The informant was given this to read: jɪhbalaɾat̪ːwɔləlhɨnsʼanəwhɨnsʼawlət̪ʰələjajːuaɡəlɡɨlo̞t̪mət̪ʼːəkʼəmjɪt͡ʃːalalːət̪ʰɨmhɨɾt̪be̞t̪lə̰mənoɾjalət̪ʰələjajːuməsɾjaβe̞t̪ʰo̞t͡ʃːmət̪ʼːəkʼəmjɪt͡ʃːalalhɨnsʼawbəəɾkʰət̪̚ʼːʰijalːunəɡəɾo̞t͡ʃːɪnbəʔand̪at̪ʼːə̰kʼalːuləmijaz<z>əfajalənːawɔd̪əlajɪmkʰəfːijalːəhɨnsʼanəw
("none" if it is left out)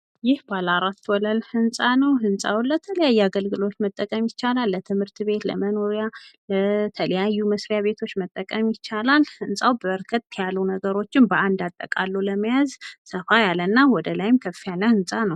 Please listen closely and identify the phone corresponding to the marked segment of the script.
s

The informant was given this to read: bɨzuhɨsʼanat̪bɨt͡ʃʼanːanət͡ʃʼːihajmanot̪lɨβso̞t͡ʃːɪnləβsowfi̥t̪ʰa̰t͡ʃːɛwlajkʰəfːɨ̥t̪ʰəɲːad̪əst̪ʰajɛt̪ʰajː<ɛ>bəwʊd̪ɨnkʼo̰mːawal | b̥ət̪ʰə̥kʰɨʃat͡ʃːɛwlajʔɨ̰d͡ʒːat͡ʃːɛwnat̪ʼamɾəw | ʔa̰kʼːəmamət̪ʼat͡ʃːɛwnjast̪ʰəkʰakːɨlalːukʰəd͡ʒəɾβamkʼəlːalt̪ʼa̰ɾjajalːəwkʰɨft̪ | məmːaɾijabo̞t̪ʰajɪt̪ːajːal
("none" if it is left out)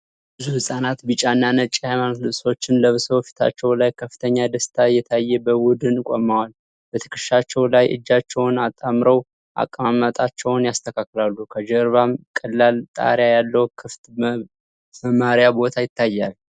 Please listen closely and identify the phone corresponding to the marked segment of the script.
ɛ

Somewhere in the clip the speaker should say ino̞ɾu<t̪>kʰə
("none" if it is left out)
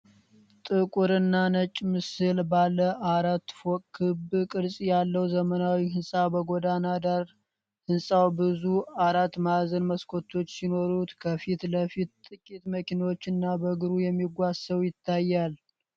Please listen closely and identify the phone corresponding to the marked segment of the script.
t̪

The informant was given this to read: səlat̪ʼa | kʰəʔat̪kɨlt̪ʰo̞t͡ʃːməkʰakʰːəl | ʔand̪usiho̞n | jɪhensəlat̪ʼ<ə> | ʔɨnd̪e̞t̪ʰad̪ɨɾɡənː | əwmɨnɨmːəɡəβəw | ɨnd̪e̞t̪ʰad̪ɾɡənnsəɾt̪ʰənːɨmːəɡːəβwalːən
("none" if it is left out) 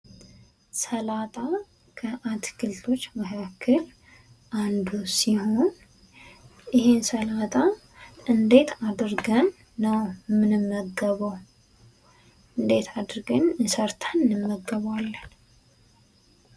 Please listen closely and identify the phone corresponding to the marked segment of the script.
a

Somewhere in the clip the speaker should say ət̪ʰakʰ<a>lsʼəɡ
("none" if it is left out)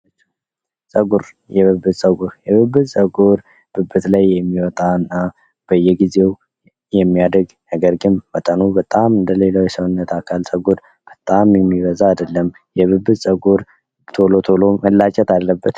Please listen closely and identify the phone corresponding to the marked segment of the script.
a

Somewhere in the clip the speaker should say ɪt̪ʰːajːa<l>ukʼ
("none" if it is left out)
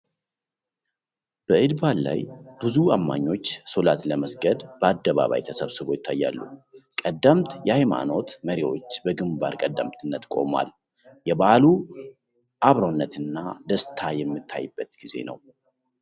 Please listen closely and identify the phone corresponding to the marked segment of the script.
lː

